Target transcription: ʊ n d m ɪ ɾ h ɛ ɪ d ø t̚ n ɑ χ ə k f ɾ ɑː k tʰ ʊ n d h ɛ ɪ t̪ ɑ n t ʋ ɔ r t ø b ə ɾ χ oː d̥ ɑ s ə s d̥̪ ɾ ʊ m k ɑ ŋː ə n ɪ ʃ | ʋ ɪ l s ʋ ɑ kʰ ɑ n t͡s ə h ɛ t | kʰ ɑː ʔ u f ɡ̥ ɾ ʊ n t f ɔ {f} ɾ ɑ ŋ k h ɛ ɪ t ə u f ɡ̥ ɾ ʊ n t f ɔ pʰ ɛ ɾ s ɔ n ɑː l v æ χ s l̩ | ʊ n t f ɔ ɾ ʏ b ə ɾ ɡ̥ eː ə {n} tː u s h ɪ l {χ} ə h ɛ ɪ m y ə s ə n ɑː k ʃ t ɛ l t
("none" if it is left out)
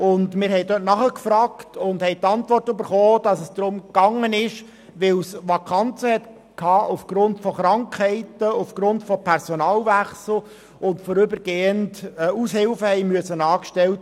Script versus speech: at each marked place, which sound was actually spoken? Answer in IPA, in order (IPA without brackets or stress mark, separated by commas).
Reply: χ, n, f